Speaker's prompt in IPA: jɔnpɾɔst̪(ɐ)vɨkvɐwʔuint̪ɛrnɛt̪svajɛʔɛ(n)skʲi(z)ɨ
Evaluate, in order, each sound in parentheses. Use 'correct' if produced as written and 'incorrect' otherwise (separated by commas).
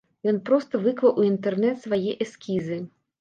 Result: correct, incorrect, correct